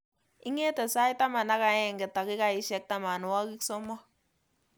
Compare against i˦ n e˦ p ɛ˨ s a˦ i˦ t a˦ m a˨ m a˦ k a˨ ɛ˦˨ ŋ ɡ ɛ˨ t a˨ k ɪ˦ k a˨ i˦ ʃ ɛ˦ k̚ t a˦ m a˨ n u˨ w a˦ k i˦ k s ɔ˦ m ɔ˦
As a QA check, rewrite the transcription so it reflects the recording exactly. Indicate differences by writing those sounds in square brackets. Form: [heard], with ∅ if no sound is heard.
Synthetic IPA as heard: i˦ [ŋ] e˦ [t] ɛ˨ s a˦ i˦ t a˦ m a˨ [n] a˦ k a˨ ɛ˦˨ ŋ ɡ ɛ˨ t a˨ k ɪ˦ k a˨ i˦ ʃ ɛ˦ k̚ t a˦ m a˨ n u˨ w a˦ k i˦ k s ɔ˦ m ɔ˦